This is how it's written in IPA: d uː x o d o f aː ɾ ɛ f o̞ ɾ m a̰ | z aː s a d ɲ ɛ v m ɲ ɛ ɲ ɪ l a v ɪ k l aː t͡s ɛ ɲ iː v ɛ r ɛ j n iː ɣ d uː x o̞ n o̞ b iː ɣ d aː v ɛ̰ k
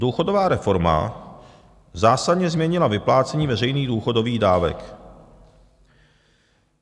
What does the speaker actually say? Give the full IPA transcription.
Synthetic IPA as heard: d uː x o d o v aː ɾ ɛ f o̞ ɾ m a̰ | z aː s a d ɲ ɛ z m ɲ ɛ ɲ ɪ l a v ɪ p l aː t͡s ɛ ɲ iː v ɛ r ɛ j n iː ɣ d uː x o̞ d o̞ v iː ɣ d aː v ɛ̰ k